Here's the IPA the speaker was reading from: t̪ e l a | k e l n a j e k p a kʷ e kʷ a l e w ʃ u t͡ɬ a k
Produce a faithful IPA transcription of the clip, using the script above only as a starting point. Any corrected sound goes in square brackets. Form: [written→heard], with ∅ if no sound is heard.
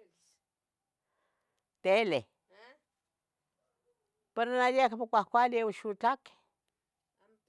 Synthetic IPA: t̪ e l [a→e] | [k→p] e [l→ɾ] n a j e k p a kʷ [e→a] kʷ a l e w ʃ u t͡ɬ a k